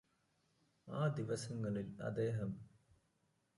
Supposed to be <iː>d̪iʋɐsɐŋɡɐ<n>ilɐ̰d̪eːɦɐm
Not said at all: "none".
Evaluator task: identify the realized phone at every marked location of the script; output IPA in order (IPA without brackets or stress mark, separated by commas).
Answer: aː, n